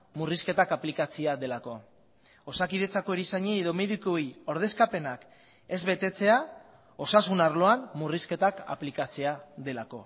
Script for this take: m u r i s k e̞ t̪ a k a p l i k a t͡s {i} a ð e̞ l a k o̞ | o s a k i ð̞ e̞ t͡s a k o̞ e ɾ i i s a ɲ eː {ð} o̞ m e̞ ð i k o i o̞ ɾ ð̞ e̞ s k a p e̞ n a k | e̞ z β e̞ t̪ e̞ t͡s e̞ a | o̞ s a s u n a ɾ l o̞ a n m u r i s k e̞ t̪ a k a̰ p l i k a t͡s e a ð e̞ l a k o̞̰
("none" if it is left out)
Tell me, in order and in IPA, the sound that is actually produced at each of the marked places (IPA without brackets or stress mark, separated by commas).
i, ð